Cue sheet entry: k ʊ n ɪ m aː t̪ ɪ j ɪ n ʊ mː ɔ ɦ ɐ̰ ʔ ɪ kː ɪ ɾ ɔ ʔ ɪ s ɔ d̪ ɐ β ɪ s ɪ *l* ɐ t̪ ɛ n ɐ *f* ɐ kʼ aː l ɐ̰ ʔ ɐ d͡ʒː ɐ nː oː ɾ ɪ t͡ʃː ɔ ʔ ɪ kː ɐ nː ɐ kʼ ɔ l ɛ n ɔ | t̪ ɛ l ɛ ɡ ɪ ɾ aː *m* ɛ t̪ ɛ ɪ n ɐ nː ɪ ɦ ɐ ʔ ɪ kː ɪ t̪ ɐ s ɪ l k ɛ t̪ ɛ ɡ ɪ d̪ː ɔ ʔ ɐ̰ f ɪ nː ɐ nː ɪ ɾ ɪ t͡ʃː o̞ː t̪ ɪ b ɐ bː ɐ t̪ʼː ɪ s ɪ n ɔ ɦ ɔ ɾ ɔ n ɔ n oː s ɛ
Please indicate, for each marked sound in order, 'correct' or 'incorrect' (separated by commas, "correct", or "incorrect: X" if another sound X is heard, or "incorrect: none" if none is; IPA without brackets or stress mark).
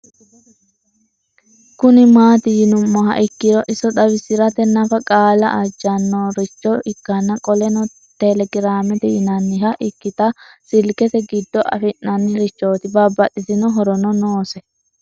incorrect: ɾ, correct, correct